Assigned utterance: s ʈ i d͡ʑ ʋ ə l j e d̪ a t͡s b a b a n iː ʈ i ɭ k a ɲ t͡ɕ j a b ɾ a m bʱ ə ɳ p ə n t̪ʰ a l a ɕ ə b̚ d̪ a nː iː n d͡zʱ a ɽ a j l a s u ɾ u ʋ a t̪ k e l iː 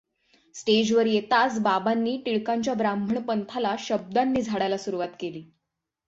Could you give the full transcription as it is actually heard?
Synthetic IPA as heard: s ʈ e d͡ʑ ʋ ə ɾ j e t̪ a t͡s b a b a nː iː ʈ i ɭ k a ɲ t͡ɕ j a b ɾ a m bʱ ə ɳ p ə n t̪ʰ a l a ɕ ə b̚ d̪ a nː iː d͡zʱ a ɽ a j l a s u ɾ u ʋ a t̪ k e l iː